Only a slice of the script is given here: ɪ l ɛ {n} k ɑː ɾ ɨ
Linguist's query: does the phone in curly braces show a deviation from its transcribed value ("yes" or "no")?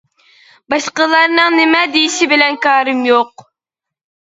no